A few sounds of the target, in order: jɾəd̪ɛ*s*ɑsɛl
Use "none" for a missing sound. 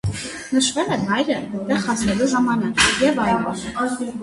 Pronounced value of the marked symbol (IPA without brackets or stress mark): χ